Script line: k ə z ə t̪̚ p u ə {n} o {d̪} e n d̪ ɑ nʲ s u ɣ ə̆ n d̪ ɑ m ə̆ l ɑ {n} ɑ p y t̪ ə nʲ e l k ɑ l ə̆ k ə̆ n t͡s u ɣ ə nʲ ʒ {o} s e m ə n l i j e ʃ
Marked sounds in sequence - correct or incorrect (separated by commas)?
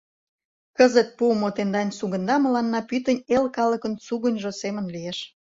incorrect, incorrect, incorrect, correct